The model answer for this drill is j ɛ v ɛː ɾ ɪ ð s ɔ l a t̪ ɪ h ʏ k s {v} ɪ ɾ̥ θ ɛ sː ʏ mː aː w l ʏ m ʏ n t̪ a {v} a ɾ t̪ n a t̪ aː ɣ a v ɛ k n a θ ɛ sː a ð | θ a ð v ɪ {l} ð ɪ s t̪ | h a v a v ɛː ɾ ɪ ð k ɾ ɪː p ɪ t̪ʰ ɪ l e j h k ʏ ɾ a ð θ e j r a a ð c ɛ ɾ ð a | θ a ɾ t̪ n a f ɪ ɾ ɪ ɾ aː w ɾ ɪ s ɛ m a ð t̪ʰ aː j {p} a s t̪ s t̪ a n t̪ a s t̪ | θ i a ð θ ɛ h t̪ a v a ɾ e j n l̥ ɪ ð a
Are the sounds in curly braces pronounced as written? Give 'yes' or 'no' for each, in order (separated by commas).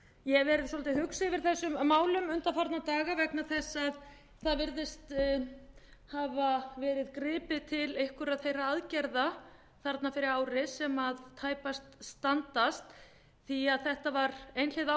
yes, no, no, yes